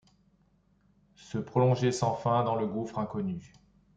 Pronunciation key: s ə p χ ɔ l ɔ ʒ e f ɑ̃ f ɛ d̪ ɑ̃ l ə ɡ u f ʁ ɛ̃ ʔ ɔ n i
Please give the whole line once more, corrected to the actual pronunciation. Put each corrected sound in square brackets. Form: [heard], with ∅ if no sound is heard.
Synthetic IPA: s ə p χ ɔ l [ɔ̃] ʒ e [s] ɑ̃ f [ɛ̃] d̪ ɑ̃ l ə ɡ u f [χ] ɛ̃ [k] ɔ n [y]